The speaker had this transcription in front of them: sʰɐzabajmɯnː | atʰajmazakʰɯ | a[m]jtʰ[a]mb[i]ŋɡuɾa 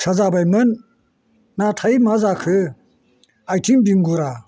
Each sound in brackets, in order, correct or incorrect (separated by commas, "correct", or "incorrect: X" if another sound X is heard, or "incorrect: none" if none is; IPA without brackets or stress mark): incorrect: none, incorrect: i, correct